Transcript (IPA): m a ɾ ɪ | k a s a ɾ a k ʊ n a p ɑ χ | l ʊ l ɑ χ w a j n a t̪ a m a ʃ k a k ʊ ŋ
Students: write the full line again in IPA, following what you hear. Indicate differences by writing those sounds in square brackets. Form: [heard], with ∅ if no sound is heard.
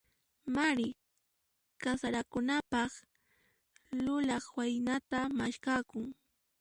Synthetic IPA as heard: m a ɾ ɪ | k a s a ɾ a k ʊ n a p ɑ χ | l ʊ l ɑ χ w a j n a t̪ a m a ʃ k a k ʊ ŋ